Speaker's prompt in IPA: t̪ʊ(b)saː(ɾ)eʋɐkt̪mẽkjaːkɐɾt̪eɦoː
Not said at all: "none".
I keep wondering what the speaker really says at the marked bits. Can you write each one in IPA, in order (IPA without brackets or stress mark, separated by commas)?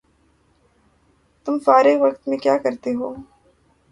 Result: m, ɾ